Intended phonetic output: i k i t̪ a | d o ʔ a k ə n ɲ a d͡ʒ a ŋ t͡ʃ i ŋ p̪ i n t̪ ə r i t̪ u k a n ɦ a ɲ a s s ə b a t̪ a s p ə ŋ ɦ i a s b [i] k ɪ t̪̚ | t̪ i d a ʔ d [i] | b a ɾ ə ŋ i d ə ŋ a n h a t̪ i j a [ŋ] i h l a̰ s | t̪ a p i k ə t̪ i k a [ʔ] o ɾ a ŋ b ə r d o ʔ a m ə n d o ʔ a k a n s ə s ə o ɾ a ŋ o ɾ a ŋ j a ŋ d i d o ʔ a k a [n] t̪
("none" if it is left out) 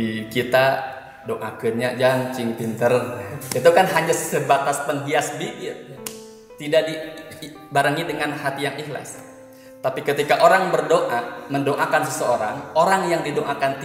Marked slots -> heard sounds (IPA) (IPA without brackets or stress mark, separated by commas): i, i, ŋ, ʔ, n